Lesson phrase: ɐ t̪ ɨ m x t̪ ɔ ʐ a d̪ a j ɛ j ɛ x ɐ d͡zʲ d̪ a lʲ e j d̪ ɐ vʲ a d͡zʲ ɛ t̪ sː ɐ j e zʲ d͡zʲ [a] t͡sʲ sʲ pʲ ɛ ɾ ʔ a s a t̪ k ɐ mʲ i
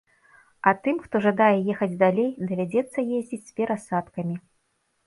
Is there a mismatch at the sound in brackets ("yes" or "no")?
yes